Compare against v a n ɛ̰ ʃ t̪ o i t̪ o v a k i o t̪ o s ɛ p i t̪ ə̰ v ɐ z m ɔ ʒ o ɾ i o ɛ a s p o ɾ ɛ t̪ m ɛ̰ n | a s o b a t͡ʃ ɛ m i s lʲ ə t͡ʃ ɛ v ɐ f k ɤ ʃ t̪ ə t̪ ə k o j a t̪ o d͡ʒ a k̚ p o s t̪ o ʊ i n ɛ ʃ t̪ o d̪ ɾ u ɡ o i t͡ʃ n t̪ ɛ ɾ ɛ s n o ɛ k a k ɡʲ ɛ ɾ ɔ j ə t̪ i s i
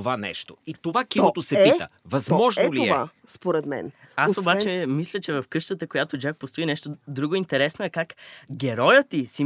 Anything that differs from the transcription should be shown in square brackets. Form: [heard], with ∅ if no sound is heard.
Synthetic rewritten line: v a n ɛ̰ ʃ t̪ o i t̪ o v a k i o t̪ o s ɛ p i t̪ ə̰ v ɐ z m ɔ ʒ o [l] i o ɛ a s p o ɾ ɛ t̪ m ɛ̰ n | a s o b a t͡ʃ ɛ m i s lʲ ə t͡ʃ ɛ v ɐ f k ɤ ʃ t̪ ə t̪ ə k o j a t̪ o d͡ʒ a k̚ p o s t̪ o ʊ i n ɛ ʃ t̪ o d̪ ɾ u ɡ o i [∅] n t̪ ɛ ɾ ɛ s n o ɛ k a k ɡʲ ɛ ɾ ɔ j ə t̪ i s i